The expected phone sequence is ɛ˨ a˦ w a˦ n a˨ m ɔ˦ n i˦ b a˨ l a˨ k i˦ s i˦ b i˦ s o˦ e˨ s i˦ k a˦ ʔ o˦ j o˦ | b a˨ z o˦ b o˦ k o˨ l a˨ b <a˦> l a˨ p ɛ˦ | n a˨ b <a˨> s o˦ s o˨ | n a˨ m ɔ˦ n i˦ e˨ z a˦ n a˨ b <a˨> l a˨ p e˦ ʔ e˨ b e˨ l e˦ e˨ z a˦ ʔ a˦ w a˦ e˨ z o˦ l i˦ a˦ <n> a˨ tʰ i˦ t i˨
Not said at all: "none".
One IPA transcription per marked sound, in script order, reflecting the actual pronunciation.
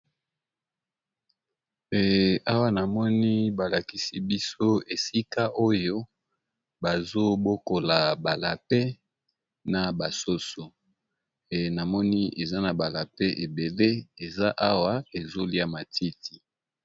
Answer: a˨, a˨, a˨, m

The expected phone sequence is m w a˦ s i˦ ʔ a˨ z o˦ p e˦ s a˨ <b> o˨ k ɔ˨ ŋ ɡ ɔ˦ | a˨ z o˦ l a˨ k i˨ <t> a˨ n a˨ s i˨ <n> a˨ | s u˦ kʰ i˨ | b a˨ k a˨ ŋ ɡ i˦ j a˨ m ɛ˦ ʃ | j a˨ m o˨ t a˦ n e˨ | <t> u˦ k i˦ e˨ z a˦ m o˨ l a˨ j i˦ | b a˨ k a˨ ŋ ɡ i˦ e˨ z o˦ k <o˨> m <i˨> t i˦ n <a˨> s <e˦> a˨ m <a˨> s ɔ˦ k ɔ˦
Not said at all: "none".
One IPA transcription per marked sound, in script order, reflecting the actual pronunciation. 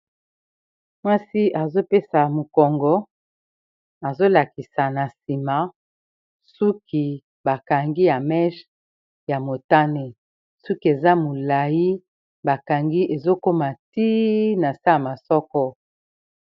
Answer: m, s, m, s, o˦, a˨, a˨, a˦, a˨

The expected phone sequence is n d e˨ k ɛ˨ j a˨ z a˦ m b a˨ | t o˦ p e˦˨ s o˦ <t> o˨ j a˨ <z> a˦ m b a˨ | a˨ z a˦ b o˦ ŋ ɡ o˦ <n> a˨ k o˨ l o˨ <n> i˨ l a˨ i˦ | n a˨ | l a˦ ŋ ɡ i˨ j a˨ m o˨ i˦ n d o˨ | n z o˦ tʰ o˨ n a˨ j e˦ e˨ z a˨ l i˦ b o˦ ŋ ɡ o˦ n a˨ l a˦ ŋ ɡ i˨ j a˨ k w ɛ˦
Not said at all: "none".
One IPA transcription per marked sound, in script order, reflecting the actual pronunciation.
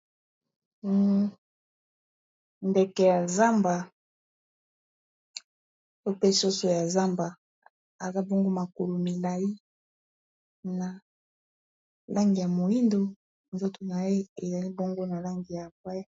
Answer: s, z, m, m

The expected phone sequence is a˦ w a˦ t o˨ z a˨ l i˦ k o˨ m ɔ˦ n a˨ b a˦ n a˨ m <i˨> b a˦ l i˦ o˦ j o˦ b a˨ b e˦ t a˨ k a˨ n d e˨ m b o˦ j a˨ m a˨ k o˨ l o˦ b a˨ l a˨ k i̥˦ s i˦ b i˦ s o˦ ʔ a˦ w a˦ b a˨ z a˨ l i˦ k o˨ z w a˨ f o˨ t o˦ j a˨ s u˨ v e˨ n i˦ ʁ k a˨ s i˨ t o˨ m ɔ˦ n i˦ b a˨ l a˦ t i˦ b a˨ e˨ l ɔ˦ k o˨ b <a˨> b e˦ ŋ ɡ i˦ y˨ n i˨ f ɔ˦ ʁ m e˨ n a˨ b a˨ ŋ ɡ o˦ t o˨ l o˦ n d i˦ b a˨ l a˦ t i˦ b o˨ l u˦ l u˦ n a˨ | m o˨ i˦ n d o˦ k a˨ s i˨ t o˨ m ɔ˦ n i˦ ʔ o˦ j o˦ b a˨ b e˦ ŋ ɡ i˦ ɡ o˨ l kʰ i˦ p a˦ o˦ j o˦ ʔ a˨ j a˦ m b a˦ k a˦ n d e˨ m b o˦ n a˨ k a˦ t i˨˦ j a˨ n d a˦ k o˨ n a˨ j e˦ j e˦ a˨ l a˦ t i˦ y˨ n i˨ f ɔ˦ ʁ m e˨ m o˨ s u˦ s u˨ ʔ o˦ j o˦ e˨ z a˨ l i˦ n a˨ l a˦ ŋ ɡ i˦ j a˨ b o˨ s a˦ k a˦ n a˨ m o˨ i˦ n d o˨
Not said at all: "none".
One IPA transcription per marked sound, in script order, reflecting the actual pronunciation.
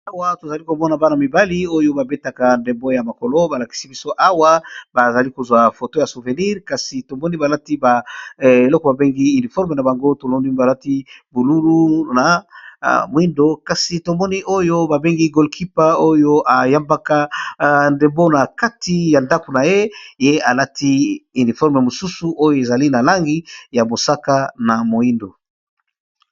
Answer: i˨, a˨

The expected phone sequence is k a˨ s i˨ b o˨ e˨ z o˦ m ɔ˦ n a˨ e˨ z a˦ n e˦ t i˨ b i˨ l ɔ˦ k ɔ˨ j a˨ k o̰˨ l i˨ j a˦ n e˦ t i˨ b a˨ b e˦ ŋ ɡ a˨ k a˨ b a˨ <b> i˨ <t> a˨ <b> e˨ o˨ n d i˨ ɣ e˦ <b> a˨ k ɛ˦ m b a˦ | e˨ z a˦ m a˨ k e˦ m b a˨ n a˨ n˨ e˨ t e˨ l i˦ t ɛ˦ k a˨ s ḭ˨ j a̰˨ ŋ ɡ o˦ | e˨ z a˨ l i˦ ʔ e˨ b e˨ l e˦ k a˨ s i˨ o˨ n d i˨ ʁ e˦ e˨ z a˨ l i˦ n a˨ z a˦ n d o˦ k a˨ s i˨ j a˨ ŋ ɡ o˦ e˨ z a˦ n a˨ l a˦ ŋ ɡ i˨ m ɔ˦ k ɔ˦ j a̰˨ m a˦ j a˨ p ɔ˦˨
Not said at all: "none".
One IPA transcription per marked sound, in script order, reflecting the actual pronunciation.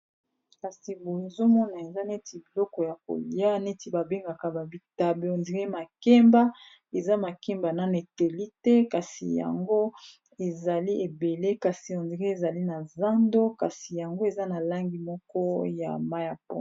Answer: b, t, b, m

